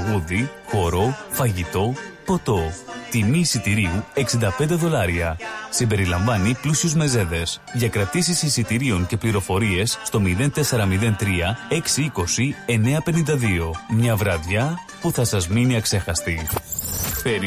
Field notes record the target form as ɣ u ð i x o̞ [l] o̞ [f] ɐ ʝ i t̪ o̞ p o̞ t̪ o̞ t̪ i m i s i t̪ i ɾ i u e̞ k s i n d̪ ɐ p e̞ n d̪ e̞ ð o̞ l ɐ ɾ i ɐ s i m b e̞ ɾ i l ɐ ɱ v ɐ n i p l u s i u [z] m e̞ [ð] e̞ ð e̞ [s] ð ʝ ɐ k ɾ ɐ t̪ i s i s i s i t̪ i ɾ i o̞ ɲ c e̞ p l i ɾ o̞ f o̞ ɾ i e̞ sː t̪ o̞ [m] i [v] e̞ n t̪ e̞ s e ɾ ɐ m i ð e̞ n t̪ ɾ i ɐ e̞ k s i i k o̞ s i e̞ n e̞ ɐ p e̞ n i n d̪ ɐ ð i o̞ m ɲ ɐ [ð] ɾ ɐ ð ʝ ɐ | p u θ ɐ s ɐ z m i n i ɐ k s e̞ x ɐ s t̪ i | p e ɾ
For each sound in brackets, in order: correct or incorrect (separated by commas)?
incorrect, correct, correct, incorrect, correct, correct, incorrect, incorrect